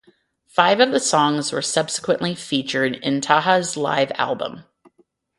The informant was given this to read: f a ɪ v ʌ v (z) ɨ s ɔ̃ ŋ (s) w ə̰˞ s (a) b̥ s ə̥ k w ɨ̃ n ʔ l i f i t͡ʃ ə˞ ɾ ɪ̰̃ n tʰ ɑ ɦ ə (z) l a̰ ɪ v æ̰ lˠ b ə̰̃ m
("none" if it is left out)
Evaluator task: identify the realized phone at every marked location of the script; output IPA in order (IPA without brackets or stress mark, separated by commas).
ð, z, ʌ, z